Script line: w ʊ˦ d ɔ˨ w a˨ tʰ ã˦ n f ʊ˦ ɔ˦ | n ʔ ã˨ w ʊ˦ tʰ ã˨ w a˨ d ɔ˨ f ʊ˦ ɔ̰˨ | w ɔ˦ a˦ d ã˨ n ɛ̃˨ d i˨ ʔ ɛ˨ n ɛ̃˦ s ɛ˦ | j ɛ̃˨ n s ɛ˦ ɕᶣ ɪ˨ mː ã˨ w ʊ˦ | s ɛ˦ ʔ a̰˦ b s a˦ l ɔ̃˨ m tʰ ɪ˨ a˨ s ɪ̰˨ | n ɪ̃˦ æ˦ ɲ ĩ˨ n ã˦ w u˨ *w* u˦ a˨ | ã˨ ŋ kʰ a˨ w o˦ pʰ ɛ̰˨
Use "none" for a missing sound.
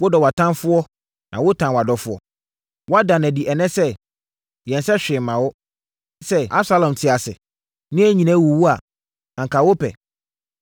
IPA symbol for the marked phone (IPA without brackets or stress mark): w